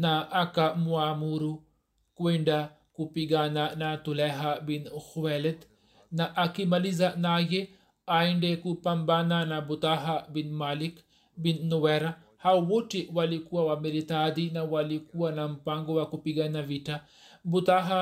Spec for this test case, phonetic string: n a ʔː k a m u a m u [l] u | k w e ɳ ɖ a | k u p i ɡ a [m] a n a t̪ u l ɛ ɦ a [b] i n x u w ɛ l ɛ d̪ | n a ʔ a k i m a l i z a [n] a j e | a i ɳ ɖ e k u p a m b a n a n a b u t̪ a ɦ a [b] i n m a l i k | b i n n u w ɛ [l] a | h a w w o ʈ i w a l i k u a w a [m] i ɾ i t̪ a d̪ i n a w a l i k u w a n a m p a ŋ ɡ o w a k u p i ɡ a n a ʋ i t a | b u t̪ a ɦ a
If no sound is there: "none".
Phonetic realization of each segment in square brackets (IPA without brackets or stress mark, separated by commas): ɾ, n, b, n, b, ɾ, m